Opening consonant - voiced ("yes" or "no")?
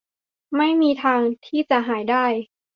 yes